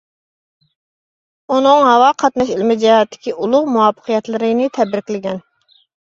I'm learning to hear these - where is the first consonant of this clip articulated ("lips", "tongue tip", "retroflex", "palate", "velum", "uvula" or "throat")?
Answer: tongue tip